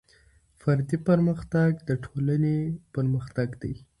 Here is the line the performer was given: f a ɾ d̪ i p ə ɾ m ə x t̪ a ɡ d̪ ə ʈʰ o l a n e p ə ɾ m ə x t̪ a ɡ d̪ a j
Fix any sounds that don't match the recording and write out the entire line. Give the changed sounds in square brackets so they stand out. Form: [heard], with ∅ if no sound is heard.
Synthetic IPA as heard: f a ɾ d̪ i p ə ɾ m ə x t̪ a ɡ d̪ ə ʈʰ o l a n e p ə ɾ m ə x t̪ a ɡ d̪ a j